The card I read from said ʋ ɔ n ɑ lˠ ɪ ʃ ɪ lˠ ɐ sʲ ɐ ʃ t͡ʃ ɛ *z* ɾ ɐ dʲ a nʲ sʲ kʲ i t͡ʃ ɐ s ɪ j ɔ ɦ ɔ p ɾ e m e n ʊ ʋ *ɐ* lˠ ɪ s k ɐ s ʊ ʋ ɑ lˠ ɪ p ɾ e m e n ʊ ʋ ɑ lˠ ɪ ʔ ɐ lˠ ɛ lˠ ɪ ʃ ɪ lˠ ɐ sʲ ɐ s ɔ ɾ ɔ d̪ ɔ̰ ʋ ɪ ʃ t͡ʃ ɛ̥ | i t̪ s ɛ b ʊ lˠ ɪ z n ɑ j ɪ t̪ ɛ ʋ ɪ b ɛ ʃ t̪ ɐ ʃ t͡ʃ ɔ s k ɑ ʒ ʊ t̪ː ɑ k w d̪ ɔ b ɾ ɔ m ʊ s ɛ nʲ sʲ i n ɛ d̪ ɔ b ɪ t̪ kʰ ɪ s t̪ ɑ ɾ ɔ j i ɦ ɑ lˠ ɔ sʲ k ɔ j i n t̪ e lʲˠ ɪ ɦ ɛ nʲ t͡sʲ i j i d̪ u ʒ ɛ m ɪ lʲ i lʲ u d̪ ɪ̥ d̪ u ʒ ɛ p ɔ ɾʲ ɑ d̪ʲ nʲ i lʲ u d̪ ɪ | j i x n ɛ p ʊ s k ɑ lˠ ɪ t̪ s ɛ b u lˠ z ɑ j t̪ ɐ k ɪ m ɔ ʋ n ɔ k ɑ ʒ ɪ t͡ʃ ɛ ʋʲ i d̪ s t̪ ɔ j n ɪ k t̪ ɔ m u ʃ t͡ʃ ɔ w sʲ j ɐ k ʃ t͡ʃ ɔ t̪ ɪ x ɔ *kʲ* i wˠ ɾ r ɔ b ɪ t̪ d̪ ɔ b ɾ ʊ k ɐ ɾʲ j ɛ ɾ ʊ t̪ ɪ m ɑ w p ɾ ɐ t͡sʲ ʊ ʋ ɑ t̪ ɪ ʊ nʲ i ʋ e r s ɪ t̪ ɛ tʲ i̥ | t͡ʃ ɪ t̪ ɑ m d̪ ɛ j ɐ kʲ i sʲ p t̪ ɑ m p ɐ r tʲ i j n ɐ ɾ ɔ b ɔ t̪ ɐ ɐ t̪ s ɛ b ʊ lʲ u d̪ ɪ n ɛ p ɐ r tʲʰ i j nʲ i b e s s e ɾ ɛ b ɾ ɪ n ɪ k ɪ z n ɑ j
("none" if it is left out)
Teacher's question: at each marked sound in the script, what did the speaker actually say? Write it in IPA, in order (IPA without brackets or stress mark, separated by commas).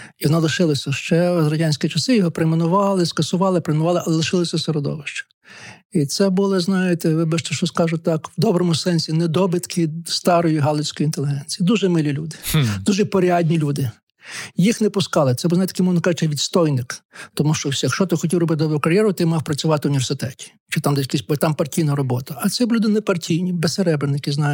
z, ɑ, tʲ